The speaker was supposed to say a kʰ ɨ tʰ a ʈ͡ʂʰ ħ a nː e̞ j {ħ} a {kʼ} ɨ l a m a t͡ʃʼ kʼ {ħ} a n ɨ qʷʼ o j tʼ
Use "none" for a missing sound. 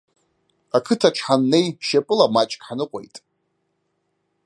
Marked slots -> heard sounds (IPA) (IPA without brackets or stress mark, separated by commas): ʃ, pʼ, ħ